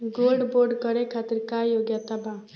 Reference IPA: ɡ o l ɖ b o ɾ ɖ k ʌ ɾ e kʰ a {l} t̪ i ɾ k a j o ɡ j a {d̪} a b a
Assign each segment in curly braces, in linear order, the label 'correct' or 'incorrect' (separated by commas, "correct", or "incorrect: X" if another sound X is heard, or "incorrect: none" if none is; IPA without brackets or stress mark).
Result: incorrect: none, incorrect: t̪